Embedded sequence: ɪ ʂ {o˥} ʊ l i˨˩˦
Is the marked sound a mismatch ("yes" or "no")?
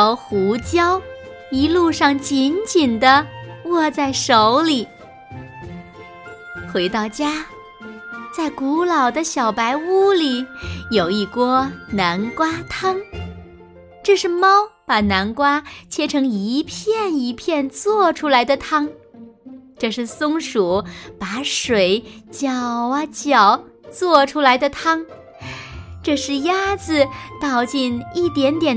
yes